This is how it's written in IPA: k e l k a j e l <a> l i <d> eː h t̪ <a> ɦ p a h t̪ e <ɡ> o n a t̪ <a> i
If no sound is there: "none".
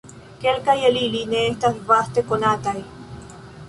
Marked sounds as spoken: i, n, a, k, a

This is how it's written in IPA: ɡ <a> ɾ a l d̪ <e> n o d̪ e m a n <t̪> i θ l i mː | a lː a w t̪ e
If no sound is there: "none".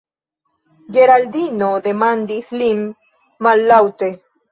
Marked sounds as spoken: e, i, d̪

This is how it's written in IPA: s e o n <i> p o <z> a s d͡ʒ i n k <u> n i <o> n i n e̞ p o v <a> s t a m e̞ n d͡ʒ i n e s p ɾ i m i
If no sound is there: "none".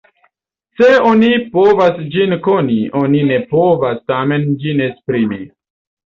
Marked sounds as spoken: i, v, o, o, a

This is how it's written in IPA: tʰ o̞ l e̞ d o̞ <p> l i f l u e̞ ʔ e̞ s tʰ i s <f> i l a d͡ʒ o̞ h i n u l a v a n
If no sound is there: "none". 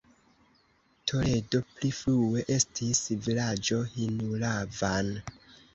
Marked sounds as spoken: p, v

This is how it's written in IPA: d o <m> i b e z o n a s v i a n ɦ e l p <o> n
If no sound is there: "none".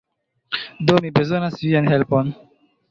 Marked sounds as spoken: m, o

